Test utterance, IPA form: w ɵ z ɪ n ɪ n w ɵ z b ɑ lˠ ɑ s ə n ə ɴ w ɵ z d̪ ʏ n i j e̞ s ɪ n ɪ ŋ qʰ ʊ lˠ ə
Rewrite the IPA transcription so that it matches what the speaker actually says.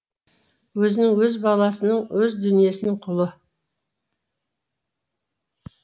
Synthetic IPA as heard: w ɵ z ɪ n ɪ ŋ w ɵ z b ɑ lˠ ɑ s ə n ə ɴ w ɵ z d̪ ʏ n i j e̞ s ɪ n ɪ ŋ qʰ ʊ lˠ ə